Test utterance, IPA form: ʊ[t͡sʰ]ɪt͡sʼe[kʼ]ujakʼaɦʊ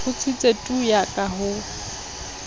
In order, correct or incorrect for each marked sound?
correct, incorrect: tʼ

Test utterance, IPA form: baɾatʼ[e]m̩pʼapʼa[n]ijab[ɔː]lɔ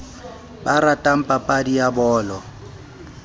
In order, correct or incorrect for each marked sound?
incorrect: a, incorrect: d, correct

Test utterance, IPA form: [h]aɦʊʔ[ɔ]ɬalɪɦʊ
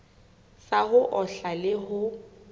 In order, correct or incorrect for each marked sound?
incorrect: s, correct

